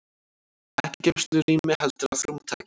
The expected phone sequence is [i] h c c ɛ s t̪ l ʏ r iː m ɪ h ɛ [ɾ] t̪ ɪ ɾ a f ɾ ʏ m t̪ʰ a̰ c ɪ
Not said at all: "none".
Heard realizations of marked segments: ɛ, l

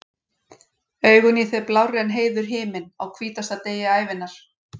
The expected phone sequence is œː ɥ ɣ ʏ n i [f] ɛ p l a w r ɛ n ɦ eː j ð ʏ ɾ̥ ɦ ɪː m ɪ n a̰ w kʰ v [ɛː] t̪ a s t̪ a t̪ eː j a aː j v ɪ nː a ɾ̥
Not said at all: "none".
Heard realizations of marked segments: θ, iː

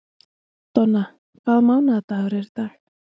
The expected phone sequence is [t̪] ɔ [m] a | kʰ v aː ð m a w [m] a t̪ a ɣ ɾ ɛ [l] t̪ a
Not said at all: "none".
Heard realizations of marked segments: t̪, n, n, ɾ

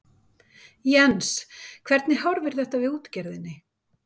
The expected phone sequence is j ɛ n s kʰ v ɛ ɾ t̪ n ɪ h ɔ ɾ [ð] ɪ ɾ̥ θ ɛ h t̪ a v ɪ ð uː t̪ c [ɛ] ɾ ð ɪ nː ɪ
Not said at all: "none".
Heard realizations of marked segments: v, ɛ

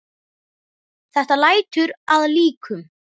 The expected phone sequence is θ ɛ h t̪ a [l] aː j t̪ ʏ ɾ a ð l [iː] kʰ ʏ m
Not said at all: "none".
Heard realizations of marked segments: l, iː

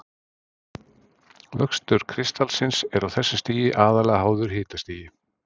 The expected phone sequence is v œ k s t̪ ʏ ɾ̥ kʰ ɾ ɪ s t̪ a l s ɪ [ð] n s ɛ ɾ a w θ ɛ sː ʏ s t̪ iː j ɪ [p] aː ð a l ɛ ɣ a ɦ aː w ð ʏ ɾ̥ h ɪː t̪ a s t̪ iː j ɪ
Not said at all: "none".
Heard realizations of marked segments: none, ʔ

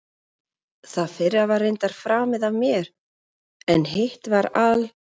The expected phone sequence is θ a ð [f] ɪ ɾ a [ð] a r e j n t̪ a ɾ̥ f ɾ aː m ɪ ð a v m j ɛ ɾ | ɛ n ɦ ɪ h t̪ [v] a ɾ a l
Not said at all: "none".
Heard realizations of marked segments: f, v, v

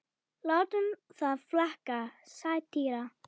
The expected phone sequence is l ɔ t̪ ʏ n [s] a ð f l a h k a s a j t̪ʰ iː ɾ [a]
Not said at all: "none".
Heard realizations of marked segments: θ, a

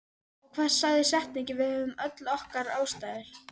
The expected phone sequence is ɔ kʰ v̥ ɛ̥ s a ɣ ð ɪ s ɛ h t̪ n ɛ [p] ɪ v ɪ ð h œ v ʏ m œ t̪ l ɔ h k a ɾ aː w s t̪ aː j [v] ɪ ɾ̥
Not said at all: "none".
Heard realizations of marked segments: c, ð

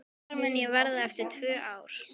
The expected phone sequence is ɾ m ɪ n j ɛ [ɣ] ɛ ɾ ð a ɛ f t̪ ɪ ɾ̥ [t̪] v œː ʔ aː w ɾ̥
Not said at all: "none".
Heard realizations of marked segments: v, t̪ʰ

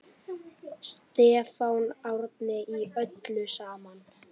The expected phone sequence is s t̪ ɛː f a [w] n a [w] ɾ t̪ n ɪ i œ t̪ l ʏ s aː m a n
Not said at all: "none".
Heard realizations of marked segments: w, w

